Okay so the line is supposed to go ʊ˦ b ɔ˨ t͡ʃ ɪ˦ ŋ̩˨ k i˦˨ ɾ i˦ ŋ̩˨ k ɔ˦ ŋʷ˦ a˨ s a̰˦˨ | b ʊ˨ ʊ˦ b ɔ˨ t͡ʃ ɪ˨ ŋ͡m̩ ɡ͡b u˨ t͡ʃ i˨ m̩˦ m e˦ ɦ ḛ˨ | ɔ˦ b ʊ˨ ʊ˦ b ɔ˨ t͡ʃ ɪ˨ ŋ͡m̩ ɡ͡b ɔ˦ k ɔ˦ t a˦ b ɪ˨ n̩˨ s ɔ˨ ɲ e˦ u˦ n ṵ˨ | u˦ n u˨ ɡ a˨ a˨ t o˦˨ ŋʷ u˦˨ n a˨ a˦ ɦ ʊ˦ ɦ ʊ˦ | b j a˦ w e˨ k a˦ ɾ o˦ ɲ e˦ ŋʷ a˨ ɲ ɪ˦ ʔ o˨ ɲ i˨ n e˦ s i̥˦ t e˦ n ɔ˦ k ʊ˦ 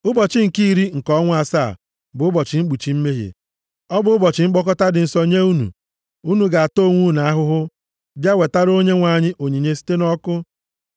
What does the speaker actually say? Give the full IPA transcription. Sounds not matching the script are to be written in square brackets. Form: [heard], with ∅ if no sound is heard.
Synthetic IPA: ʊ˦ b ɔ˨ t͡ʃ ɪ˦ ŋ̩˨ k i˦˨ ɾ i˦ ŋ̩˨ k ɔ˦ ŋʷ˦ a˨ s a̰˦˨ | b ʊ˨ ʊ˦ b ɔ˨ t͡ʃ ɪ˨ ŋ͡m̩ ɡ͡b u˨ t͡ʃ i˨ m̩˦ m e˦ ɦ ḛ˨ | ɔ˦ b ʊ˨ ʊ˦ b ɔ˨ t͡ʃ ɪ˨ ŋ͡m̩ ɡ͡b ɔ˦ k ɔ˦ t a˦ [d] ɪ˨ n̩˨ s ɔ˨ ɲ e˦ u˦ n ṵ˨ | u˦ n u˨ ɡ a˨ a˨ t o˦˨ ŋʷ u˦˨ n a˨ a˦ ɦ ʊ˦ ɦ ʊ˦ | b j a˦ w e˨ [t] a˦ ɾ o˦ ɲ e˦ ŋʷ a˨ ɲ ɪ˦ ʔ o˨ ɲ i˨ [ɲ] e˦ s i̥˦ t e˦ n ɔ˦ k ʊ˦

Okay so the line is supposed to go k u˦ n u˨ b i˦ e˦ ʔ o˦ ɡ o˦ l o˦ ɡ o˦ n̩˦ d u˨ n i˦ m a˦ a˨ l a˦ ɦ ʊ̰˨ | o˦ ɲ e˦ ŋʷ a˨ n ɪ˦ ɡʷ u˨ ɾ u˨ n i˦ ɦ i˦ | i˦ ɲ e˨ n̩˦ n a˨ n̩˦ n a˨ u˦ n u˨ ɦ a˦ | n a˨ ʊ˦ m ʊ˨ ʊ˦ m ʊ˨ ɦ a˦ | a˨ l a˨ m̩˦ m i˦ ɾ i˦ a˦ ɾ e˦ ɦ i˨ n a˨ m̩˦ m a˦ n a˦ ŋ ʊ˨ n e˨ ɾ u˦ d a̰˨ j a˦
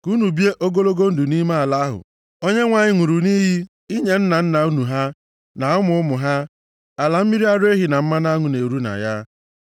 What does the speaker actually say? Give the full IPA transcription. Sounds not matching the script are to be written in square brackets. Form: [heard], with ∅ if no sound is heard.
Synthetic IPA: k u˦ n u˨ b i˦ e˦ ʔ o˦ ɡ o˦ l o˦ ɡ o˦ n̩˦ d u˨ n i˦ m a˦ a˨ l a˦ ɦ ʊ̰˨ | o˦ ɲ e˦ ŋʷ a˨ [ɲ] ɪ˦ [ŋʷ] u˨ ɾ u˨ n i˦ ɦ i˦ | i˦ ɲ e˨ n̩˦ n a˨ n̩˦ n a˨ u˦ n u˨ ɦ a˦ | n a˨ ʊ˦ m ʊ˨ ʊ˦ m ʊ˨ ɦ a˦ | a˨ l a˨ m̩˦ m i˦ ɾ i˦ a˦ ɾ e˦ ɦ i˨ n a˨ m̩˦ m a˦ n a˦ ŋ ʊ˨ n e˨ ɾ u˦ [n] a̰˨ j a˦

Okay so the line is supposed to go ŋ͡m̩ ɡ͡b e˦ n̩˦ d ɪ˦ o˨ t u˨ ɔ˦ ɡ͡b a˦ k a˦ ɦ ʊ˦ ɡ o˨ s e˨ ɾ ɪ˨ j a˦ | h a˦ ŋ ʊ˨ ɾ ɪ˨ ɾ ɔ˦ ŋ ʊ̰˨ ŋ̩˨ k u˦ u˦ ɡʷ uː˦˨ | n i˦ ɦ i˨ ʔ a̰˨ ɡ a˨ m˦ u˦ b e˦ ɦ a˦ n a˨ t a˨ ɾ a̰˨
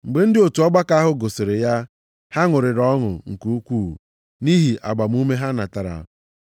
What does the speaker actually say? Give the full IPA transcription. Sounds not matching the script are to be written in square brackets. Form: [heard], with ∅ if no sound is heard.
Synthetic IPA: ŋ͡m̩ ɡ͡b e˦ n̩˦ d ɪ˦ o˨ t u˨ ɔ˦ ɡ͡b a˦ k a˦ ɦ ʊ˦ ɡ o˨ s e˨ ɾ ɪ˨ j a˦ | h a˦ ŋ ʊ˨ ɾ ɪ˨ ɾ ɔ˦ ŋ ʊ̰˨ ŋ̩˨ k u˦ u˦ [kʷ] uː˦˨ | n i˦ ɦ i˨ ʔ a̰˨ [ɡ͡b] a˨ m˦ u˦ [m] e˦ ɦ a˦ n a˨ t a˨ ɾ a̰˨

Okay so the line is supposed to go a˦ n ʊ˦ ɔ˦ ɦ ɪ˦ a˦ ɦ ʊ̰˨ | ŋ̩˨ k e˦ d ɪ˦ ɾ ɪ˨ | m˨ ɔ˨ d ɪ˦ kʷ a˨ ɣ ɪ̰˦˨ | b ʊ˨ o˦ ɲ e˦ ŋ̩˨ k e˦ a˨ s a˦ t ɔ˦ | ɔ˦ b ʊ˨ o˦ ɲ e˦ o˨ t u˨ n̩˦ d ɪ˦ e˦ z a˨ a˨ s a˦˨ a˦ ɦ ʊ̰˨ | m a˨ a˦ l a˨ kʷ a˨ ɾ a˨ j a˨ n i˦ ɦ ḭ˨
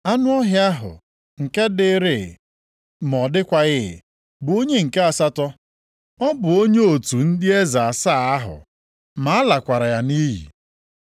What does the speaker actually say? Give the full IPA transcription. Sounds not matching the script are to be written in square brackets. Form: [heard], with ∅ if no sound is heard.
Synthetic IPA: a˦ n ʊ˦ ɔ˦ ɦ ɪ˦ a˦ ɦ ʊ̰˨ | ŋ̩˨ k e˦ d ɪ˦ ɾ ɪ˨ | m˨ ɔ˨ d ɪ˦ kʷ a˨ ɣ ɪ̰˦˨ | b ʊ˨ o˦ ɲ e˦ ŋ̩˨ k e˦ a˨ s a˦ t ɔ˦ | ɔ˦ b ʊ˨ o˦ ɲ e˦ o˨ t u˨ n̩˦ d ɪ˦ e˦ z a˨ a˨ s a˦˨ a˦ ɦ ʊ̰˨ | m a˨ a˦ l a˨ kʷ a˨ ɾ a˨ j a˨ n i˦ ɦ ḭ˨

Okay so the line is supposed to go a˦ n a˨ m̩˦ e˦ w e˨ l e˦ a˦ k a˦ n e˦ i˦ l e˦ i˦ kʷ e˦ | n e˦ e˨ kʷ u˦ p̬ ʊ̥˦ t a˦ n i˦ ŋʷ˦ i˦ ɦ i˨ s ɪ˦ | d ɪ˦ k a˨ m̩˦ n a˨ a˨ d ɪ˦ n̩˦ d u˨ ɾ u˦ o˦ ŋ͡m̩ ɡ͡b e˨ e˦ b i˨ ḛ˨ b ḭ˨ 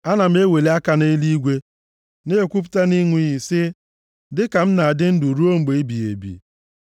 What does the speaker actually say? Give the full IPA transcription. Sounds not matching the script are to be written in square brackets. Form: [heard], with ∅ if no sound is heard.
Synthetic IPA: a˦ n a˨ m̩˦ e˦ w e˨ l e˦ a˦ k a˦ n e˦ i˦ l [i˦] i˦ [ɡʷ] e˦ | n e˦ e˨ kʷ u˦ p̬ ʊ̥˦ t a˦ n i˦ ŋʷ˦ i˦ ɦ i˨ s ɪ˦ | d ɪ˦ k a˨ m̩˦ n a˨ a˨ d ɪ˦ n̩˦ d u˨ ɾ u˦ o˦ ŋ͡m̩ ɡ͡b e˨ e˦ b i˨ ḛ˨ b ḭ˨

